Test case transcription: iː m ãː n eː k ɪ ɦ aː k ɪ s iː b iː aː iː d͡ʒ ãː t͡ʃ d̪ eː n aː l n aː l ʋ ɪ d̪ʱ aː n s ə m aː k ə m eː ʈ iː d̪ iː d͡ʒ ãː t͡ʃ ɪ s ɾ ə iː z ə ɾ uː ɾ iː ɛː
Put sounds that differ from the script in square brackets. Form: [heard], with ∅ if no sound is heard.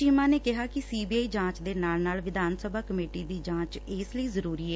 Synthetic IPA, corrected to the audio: iː m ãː n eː k ɪ ɦ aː k ɪ s iː b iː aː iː d͡ʒ ãː t͡ʃ d̪ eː n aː l n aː l ʋ ɪ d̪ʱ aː n s ə [b] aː k ə m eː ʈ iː d̪ iː d͡ʒ ãː t͡ʃ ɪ s [l] ə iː z ə ɾ uː ɾ iː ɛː